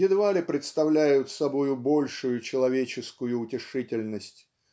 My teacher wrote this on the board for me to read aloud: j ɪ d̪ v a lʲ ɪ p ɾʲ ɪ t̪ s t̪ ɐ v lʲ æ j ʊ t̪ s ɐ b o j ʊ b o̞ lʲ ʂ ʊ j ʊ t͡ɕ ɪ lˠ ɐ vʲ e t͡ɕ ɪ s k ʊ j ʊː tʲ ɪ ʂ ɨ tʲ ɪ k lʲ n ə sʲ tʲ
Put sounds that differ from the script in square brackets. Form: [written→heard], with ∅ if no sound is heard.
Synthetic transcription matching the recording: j ɪ d̪ v a lʲ ɪ p ɾʲ ɪ t̪ s t̪ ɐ v lʲ æ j ʊ t̪ s ɐ b o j ʊ b o̞ lʲ ʂ ʊ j ʊ t͡ɕ ɪ lˠ ɐ vʲ e t͡ɕ ɪ s k ʊ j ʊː tʲ ɪ ʂ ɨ tʲ ɪ [k→∅] lʲ n ə sʲ tʲ